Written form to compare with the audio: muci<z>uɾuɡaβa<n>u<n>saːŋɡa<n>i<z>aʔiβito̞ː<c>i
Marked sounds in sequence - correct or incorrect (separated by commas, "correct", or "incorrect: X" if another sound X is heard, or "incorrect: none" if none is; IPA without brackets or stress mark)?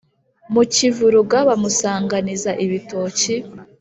incorrect: v, incorrect: m, incorrect: none, correct, correct, correct